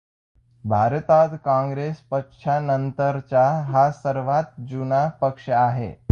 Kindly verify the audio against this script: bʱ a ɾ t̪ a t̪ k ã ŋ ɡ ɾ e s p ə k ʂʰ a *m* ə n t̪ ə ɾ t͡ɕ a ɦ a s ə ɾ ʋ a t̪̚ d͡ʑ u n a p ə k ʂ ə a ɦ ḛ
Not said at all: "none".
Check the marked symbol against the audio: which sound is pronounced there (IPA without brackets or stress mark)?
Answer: n